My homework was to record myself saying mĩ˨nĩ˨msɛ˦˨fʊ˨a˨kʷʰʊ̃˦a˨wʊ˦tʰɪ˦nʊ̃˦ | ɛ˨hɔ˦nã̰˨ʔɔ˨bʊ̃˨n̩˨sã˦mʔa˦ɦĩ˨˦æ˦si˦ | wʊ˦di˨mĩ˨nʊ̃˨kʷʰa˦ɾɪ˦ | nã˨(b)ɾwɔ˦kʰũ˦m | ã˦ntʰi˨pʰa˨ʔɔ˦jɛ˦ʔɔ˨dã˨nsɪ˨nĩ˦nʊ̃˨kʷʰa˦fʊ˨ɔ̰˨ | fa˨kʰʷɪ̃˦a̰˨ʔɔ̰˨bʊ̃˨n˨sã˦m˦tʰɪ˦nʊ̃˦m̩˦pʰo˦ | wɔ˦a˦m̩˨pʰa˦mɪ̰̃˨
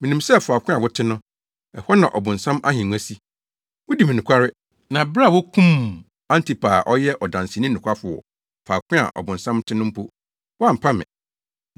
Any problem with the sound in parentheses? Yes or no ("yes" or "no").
no